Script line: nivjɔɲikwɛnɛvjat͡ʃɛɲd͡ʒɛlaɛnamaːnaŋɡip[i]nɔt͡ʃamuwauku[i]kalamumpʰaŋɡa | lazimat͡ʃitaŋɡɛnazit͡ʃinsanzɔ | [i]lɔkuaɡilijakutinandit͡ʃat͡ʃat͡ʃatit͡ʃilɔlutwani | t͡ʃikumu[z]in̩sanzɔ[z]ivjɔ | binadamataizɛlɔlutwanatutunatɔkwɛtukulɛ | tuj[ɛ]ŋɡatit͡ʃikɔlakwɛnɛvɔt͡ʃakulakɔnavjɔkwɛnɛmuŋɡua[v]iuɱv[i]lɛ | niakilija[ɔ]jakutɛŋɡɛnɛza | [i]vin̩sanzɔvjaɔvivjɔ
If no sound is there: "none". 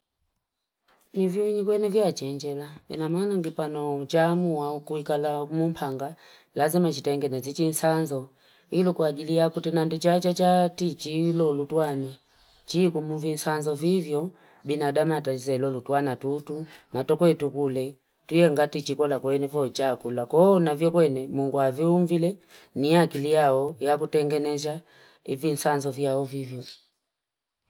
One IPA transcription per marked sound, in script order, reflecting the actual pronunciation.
a, i, i, v, v, ɛ, v, i, ɔ, i

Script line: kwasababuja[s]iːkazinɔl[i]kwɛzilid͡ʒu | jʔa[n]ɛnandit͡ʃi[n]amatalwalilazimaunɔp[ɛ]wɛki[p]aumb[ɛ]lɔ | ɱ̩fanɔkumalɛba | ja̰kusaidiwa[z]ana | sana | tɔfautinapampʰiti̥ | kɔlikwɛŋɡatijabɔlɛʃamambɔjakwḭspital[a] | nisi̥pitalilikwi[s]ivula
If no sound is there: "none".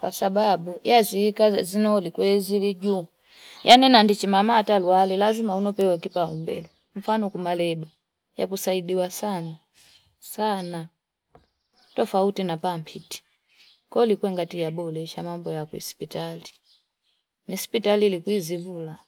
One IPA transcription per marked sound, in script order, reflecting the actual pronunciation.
z, i, n, m, ɛ, p, ɛ, s, i, z

